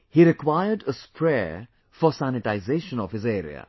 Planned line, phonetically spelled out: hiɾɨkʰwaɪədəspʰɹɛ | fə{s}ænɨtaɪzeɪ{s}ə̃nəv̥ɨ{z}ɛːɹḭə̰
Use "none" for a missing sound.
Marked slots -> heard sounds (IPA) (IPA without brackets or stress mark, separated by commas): s, ʃ, z